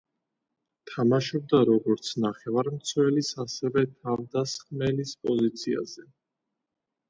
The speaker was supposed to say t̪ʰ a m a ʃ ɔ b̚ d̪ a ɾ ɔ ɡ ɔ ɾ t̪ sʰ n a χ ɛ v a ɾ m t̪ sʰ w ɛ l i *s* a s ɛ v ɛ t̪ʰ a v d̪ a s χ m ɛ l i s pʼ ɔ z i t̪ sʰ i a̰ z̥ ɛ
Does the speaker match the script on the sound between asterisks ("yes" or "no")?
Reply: yes